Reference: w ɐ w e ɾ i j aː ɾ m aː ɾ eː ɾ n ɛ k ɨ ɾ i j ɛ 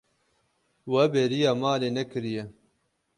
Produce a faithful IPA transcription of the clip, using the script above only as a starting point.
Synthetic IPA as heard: w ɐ b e ɾ i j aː m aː l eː n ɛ k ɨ ɾ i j ɛ